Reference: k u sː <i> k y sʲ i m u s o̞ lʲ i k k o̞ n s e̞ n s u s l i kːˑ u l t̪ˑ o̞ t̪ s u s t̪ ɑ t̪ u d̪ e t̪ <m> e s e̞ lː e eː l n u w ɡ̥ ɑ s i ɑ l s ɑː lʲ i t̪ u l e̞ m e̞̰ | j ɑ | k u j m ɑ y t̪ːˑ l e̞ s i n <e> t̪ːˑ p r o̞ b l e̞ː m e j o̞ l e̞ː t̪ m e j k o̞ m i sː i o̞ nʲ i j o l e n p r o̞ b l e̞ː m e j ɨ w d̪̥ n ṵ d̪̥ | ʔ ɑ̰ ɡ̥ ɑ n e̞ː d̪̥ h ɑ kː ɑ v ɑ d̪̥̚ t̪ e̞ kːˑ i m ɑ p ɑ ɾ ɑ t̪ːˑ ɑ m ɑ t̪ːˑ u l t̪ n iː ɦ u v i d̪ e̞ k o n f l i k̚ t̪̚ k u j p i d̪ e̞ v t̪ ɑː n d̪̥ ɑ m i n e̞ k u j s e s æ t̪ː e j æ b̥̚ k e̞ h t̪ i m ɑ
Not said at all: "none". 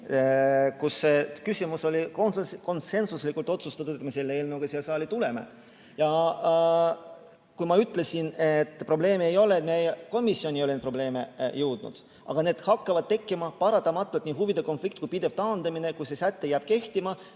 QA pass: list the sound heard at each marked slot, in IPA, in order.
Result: e, m, e

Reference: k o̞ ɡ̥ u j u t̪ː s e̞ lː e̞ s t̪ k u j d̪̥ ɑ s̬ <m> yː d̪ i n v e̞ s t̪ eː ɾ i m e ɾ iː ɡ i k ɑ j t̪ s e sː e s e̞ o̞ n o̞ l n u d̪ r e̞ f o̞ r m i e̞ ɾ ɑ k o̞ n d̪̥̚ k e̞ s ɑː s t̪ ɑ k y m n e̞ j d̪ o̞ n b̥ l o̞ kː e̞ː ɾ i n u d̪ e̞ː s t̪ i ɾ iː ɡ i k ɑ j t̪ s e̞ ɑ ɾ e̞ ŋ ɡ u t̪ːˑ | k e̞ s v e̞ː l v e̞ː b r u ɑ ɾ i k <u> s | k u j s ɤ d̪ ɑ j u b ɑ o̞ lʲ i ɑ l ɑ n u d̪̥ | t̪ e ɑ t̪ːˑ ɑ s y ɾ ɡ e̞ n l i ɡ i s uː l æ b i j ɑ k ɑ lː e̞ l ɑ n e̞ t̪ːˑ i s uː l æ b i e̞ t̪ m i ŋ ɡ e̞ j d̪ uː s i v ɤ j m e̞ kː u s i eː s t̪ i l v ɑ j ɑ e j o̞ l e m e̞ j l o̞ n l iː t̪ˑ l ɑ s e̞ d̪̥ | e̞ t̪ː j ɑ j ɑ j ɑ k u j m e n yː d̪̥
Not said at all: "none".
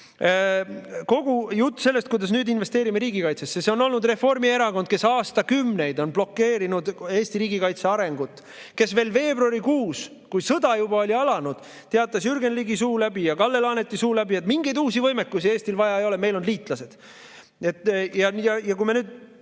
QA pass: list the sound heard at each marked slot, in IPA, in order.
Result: n, uː

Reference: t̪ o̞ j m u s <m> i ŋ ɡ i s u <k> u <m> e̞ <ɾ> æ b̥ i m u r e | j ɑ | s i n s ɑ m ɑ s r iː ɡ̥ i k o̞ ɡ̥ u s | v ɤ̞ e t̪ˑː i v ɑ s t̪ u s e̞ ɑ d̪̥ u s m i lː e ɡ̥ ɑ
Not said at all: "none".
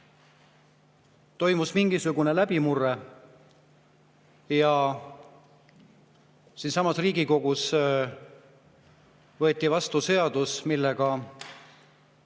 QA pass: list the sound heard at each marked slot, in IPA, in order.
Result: m, ɡ, n, l

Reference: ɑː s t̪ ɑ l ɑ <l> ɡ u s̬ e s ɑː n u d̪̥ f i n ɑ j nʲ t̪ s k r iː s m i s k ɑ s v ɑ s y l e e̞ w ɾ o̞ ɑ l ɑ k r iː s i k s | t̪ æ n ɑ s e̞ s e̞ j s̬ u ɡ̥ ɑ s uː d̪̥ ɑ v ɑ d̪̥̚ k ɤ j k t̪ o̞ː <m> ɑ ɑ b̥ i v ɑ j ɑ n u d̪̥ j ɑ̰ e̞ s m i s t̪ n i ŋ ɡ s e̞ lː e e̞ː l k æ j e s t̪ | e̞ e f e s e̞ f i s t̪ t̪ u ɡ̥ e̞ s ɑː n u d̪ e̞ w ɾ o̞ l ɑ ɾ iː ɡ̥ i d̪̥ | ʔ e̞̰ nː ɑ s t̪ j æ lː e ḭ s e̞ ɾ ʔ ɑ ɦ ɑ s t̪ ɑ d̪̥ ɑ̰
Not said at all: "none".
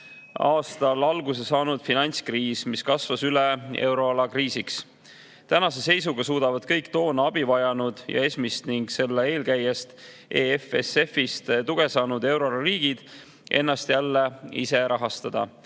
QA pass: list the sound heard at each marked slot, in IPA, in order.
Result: l, n

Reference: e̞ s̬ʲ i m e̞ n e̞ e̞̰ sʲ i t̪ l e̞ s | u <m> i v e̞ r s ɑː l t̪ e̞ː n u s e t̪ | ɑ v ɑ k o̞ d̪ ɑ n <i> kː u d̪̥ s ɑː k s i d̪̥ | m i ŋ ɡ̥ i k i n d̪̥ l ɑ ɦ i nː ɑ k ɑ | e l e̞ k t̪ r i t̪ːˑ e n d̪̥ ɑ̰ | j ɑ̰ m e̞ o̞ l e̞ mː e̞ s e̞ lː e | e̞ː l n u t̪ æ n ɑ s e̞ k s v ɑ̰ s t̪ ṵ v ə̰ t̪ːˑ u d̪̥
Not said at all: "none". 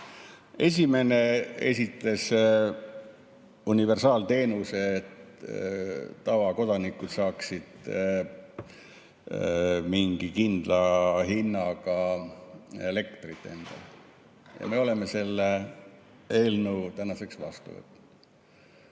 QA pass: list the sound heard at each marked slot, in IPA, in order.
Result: n, i

